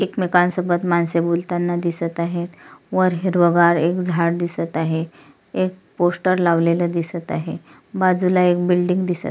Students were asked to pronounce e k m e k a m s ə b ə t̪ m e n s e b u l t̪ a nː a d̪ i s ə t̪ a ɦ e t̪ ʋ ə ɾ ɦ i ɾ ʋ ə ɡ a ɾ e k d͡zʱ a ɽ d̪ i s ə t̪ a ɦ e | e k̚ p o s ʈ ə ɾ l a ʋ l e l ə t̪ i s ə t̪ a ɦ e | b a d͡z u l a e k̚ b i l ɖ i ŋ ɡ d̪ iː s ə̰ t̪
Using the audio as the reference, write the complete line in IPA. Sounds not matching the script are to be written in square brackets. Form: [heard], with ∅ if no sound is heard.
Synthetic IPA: e k m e k a [n] s ə b ə t̪ m [a] n s e b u l t̪ a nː a d̪ i s ə t̪ a ɦ e t̪ ʋ ə ɾ ɦ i ɾ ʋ ə ɡ a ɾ e k d͡zʱ a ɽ d̪ i s ə t̪ a ɦ e | e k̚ p o s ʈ ə ɾ l a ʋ l e l ə [d̪] i s ə t̪ a ɦ e | b a d͡z u l a e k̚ b i l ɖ i ŋ ɡ d̪ [i] s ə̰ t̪